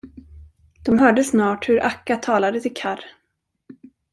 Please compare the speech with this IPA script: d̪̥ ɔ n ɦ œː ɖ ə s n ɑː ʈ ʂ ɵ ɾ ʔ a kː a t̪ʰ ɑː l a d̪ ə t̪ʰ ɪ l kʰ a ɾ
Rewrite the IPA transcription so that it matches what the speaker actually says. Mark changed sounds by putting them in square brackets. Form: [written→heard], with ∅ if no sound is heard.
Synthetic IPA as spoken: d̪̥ ɔ [n→m] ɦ œː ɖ ə s n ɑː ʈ [ʂ→h] ɵ ɾ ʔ a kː a t̪ʰ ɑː l a d̪ ə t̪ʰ ɪ l kʰ a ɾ